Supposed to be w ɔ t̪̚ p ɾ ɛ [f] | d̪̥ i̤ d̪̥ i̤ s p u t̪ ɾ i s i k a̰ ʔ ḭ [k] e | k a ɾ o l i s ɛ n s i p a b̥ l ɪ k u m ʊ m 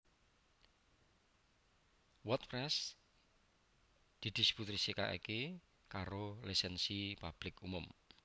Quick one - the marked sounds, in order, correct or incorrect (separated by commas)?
incorrect, correct